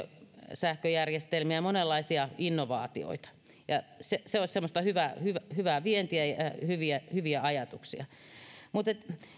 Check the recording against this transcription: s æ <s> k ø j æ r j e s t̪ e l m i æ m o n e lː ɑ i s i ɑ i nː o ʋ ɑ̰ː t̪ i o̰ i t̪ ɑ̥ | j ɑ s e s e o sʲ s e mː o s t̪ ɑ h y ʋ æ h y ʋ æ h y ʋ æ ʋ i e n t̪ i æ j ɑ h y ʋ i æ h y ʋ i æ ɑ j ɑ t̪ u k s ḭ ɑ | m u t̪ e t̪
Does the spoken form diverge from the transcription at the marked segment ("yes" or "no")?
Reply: yes